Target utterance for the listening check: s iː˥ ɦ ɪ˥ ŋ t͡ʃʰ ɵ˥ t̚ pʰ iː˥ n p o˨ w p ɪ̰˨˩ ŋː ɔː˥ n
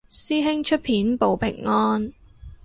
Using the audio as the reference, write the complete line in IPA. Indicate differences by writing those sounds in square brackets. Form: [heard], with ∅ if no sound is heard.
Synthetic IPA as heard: s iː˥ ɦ ɪ˥ ŋ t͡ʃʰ ɵ˥ t̚ pʰ [iː˨˥] n p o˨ w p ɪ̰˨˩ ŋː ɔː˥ n